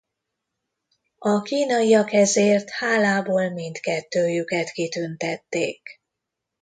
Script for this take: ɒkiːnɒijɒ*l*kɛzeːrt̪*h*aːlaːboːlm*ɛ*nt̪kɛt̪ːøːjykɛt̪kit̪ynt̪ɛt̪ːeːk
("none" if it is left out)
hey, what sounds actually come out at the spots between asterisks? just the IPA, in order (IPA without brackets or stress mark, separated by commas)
none, h, i